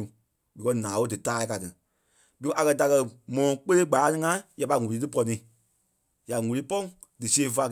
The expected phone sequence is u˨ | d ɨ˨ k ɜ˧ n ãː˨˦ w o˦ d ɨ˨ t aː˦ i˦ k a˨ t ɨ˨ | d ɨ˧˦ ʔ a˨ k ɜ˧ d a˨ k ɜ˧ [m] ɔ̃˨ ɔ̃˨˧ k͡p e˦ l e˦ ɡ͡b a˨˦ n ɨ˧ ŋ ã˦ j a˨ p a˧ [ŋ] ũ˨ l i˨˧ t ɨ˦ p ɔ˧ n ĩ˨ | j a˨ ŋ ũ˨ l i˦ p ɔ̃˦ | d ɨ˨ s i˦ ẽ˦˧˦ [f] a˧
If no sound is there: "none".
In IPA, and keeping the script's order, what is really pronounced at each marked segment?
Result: m, ŋ, f

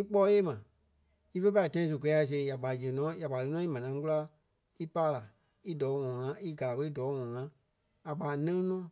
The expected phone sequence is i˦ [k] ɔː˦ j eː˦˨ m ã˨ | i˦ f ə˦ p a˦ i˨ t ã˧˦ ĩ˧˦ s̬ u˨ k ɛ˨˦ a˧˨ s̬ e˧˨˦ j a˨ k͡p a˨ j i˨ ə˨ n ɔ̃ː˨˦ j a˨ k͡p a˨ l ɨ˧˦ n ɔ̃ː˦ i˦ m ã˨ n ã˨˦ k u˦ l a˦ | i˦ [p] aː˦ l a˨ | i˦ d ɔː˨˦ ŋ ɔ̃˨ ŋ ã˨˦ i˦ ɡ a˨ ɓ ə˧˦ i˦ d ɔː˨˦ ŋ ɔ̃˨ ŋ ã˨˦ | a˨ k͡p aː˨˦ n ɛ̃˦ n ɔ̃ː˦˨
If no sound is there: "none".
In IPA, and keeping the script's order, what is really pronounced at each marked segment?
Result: k͡p, p

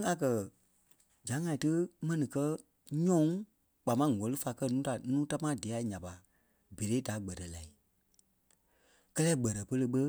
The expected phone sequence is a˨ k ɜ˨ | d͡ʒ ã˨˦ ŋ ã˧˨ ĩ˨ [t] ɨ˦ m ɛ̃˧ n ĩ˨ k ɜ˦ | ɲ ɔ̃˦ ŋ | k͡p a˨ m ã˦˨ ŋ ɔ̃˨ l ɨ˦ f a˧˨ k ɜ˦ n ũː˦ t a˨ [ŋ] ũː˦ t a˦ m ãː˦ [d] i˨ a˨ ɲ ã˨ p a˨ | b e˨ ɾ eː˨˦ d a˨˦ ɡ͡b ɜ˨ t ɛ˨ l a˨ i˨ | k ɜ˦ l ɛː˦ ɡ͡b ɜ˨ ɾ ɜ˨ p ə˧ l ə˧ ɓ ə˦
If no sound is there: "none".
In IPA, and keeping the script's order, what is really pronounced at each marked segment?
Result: t, n, d

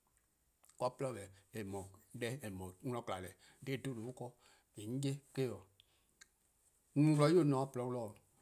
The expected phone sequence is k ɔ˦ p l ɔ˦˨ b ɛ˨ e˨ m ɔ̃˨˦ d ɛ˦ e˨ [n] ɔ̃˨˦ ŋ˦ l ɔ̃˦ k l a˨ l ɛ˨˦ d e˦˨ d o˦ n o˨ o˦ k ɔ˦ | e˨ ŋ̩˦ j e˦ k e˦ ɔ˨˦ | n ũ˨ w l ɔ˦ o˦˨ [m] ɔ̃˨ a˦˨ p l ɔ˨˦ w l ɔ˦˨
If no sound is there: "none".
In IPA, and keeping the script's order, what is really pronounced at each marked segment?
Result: m, n

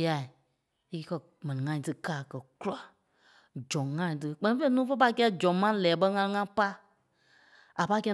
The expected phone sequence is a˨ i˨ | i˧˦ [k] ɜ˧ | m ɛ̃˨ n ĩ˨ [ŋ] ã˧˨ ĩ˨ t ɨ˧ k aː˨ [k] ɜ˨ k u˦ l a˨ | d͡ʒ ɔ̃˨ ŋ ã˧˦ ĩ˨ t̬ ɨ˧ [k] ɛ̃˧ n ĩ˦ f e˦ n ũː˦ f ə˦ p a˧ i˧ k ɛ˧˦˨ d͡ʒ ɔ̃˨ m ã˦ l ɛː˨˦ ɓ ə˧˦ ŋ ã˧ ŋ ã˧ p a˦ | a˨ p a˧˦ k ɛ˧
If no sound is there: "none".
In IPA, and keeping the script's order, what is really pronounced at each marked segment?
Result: k, ŋ, k, k͡p

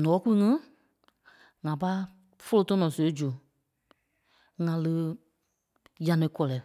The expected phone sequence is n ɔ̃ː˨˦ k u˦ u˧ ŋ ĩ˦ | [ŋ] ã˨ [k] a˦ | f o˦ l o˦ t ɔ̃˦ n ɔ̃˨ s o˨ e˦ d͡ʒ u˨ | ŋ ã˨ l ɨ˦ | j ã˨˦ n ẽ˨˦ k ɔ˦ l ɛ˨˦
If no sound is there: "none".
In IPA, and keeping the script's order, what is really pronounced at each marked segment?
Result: ŋ, p

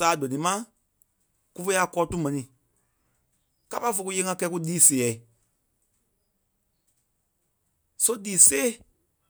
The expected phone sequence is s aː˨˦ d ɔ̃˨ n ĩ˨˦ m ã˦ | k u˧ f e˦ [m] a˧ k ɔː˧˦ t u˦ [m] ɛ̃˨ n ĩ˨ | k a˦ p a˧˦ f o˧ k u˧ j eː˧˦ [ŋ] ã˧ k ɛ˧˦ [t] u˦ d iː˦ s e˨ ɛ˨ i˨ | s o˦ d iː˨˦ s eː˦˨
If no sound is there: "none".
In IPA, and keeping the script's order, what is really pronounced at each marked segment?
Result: none, m, ŋ, k

